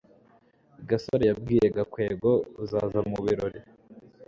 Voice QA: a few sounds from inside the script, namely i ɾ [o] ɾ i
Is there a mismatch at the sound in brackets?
no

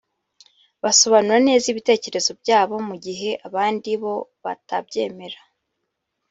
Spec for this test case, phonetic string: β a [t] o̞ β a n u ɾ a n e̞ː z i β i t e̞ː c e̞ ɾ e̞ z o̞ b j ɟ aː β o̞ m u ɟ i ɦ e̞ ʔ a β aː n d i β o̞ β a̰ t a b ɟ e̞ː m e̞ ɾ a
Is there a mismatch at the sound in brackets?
yes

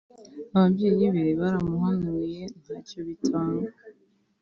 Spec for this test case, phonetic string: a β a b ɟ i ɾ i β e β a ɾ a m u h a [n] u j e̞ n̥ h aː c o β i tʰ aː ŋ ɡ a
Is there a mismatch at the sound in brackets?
no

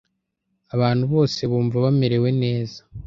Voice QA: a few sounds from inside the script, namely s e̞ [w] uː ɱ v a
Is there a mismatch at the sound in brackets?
yes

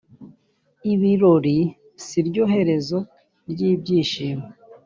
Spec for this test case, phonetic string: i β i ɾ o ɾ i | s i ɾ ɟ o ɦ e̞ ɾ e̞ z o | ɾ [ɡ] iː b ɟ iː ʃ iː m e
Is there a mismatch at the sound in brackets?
yes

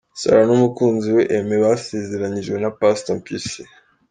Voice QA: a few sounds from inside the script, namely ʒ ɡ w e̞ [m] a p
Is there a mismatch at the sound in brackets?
yes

